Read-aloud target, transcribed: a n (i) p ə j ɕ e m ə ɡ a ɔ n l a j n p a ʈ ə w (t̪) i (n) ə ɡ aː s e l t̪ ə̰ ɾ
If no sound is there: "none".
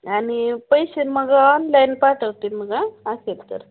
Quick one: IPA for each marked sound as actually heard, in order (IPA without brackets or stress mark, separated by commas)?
i, t̪, m